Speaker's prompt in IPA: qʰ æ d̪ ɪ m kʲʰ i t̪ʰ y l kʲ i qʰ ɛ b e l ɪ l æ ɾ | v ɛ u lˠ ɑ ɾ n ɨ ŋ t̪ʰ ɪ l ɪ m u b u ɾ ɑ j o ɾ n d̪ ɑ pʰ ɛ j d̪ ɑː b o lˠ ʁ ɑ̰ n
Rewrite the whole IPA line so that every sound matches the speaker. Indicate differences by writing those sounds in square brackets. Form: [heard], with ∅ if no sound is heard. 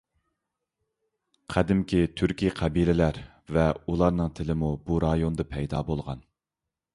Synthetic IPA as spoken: qʰ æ d̪ ɪ m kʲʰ i t̪ʰ y [ɾ] kʲ i qʰ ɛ b [i] l ɪ l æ ɾ | v ɛ u lˠ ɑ ɾ n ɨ ŋ t̪ʰ ɪ l ɪ m u b u ɾ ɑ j o [∅] n d̪ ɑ pʰ ɛ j d̪ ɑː b o lˠ ʁ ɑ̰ n